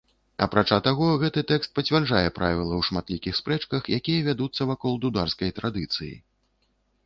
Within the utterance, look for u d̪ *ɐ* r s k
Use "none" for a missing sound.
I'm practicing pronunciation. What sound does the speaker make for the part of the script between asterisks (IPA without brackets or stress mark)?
a